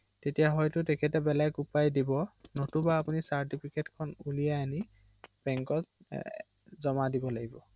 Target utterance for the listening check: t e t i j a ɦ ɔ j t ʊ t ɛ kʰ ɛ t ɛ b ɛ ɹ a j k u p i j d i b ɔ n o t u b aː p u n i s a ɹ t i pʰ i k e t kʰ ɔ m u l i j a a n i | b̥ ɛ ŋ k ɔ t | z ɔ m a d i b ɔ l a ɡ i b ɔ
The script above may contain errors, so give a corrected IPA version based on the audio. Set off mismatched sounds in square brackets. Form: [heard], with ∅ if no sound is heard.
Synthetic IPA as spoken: t e t i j a ɦ ɔ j t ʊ t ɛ kʰ ɛ t ɛ b ɛ [l] a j k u p [a] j d i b ɔ n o t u b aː p u n i s a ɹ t i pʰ i k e t kʰ ɔ [n] u l i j a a n i | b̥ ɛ ŋ k ɔ t | z ɔ m a d i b ɔ l a ɡ i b ɔ